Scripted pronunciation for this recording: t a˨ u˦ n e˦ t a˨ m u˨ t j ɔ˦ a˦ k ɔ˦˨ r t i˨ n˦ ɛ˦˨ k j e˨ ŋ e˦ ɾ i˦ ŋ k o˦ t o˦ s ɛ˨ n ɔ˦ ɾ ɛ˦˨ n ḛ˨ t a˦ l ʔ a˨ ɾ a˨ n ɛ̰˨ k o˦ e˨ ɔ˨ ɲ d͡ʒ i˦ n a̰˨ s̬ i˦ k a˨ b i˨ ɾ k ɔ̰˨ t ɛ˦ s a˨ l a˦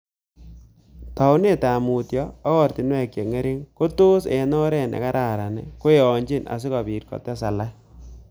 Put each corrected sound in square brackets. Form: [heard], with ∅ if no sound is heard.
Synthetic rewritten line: t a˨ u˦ n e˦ t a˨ m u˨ t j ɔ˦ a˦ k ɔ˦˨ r t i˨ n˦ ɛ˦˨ k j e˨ ŋ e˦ ɾ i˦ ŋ k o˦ t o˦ s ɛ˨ n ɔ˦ ɾ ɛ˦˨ n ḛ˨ [k] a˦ [ɾ] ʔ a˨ ɾ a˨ n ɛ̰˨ k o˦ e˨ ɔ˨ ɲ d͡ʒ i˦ n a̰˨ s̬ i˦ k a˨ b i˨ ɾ k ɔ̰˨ t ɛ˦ s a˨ l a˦